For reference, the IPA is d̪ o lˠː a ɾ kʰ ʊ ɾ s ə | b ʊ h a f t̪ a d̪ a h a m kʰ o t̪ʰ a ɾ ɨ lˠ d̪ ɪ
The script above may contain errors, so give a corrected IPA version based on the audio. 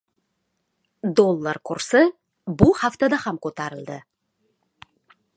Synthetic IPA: d̪ o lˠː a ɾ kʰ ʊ ɾ s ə | b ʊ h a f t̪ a d̪ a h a m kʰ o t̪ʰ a ɾ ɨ lˠ d̪ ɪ